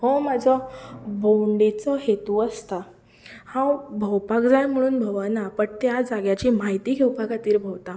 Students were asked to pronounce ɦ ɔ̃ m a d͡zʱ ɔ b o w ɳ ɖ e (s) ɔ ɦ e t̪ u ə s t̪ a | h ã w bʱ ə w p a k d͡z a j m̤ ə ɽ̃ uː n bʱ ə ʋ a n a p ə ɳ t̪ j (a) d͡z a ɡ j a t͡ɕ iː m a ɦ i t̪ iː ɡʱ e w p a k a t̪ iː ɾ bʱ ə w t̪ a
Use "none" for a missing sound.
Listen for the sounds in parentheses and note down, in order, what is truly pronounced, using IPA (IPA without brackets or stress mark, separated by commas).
t͡s, a